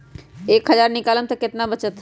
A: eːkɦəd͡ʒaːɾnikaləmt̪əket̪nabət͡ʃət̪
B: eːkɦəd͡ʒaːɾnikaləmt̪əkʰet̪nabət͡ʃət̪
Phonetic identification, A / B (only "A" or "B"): A